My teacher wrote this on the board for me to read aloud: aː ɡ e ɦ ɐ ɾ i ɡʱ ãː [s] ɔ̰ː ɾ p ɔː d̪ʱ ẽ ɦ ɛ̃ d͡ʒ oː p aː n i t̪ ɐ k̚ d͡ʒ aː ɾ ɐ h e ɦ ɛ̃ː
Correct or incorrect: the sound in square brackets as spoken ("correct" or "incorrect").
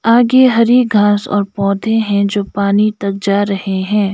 correct